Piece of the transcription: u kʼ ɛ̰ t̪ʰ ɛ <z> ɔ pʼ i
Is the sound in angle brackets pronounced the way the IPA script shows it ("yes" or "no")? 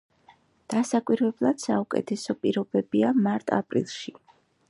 no